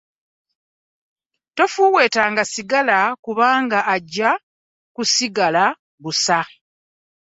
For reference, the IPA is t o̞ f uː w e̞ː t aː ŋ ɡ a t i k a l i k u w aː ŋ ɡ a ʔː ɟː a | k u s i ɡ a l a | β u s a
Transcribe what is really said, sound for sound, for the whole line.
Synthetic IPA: t o̞ f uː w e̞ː t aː ŋ ɡ a s i ɡ a l a k u β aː ŋ ɡ a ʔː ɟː a | k u s i ɡ a l a | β u s a

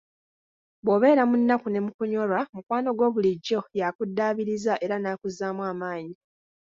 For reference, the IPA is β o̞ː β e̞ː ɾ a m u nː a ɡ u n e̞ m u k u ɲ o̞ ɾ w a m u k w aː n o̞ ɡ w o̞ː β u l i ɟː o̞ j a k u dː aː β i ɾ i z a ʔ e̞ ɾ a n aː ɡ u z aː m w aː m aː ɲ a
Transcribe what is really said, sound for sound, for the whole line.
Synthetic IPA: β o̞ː β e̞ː ɾ a m u nː a k u n e̞ m u k u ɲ o̞ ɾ w a m u k w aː n o̞ ɡ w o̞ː β u l i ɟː o̞ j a k u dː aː β i ɾ i z a ʔ e̞ ɾ a n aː k u z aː m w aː m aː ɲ i

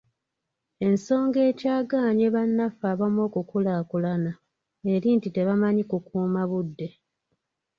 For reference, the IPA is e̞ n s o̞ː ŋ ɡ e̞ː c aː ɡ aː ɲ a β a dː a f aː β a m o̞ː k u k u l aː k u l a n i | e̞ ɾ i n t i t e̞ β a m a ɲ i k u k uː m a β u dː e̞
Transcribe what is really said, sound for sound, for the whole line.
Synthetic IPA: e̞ n s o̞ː ŋ ɡ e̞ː c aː ɡ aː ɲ e β a nː a f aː β a m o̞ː k u k u l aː k u l a n a | e̞ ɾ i n t i t e̞ β a m a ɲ i k u k uː m a β u dː e̞

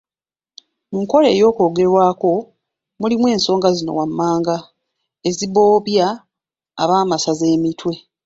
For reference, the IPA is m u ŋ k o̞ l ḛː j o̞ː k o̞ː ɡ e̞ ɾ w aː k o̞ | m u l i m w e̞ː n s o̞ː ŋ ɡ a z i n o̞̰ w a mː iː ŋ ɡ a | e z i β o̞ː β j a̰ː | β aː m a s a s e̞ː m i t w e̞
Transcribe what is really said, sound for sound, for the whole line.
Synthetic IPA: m u ŋ k o̞ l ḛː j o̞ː k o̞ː ɡ e̞ ɾ w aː k o̞ | m u l i m w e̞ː n s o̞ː ŋ ɡ a z i n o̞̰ w a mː aː ŋ ɡ a | e z i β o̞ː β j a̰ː | β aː m a s a z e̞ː m i t w e̞

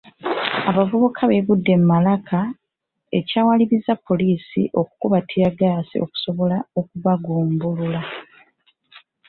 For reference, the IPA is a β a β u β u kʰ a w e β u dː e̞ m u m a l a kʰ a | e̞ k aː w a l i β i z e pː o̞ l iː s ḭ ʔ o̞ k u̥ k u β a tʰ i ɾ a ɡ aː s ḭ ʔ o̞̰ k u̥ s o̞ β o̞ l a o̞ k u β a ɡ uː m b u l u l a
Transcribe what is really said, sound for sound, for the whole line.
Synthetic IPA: a β a v u β u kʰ a β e β u dː e̞ m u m a l a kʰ a | e̞ c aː w a l i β i z a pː o̞ l iː s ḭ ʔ o̞ k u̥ k u β a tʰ i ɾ a ɡ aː s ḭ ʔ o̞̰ k u̥ s o̞ β o̞ l a o̞ k u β a ɡ uː m b u l u l a

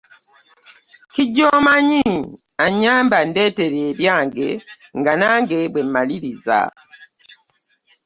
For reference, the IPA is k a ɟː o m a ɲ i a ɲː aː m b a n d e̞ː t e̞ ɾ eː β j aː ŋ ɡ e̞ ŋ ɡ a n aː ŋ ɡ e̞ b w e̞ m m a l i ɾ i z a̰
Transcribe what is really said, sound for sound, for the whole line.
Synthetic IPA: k i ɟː o m a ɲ i a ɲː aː m b a n d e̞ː t e̞ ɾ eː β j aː ŋ ɡ e̞ ŋ ɡ a n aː ŋ ɡ e̞ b w e̞ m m a l i ɾ i z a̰

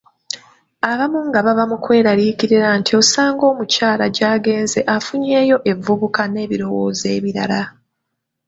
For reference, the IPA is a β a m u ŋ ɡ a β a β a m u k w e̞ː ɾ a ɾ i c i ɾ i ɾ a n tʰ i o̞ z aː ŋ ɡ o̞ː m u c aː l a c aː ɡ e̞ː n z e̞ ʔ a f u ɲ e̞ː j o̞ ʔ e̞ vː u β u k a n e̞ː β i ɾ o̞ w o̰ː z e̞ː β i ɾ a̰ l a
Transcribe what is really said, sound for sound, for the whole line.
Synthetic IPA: a β a m u ŋ ɡ a β a β a m u k w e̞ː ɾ a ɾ i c i ɾ i ɾ a n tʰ i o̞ s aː ŋ ɡ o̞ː m u c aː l a ɟ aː ɡ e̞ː n z e̞ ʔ a f u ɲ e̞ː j o̞ ʔ e̞ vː u β u k a n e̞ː β i ɾ o̞ w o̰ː z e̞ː β i ɾ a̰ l a

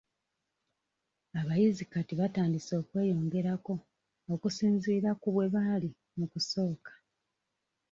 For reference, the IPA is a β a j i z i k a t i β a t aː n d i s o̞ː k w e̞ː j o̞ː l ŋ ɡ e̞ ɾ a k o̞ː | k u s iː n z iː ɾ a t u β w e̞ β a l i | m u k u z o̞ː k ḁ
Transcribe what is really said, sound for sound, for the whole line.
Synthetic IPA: a β a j i z i k a t i β a t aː n d i s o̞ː k w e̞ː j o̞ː ŋ ɡ e̞ ɾ a k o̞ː | k u s iː n z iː ɾ a k u β w e̞ β a l i | m u k u s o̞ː k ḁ

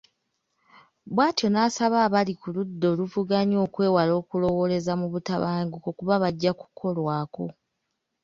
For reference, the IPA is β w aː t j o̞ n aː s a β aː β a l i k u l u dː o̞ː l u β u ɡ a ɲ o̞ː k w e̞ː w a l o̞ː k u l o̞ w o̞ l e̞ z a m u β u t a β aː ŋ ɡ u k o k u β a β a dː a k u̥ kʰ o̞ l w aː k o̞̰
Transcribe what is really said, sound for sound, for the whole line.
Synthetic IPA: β w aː t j o̞ n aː s a β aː β a l i k u l u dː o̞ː l u v u ɡ a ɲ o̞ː k w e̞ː w a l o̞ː k u l o̞ w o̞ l e̞ z a m u β u t a β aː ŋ ɡ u k o k u β a β a ɟː a k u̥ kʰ o̞ l w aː k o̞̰

